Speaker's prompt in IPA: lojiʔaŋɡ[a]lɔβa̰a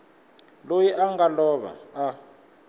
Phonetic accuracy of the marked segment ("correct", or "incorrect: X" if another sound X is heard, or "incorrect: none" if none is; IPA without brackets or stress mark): correct